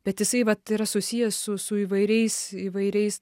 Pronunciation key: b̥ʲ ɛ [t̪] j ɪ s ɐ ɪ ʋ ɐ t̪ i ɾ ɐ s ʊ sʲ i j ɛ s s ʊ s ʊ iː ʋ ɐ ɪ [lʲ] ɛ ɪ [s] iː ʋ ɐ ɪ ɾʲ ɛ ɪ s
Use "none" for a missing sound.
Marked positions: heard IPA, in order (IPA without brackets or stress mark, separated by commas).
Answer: t̪, ɾʲ, s